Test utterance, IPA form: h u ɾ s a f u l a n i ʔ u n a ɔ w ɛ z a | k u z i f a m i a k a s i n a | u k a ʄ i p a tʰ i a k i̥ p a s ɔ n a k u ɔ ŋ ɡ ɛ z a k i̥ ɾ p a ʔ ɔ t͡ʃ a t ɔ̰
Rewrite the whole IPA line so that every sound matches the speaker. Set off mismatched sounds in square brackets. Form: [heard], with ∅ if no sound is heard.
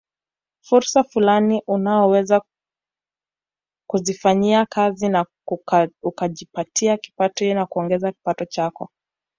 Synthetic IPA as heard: [f] u ɾ s a f u l a n i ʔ u n a ɔ w ɛ z a | k u z i f a [ɲ] i a k a [z] i n a | u k a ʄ i p a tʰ i a k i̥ p a [t] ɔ n a k u ɔ ŋ ɡ ɛ z a k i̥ [∅] p a [t] ɔ t͡ʃ a [k] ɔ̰